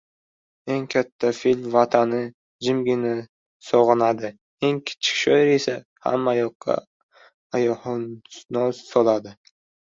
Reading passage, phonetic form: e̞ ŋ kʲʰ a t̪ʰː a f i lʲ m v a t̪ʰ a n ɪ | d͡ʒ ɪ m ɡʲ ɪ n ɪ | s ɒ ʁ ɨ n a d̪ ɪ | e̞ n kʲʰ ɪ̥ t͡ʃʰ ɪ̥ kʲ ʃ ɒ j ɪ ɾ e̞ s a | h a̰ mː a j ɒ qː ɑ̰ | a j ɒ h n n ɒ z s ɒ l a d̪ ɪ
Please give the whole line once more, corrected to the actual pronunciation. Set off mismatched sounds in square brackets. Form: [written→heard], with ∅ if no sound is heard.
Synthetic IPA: e̞ ŋ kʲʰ a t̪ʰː a f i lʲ m v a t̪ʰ a n ɪ | d͡ʒ ɪ m ɡʲ ɪ n ɪ | s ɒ ʁ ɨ n a d̪ ɪ | e̞ [n→ŋ] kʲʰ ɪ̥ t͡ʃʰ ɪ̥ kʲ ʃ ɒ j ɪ ɾ e̞ s a | h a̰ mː a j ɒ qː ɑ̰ | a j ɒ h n n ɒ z s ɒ l a d̪ ɪ